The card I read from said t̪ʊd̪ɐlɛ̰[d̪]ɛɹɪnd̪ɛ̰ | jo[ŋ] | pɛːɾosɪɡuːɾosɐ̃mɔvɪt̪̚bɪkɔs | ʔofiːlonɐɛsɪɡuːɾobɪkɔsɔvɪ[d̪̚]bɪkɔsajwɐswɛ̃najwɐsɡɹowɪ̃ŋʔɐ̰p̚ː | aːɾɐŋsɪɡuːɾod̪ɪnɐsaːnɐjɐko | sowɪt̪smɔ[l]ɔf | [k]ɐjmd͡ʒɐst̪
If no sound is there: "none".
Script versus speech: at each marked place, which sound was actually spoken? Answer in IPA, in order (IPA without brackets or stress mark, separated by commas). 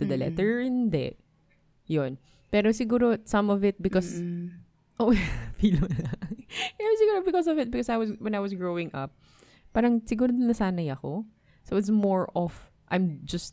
t̪, n, t̪̚, ɹ, ʔ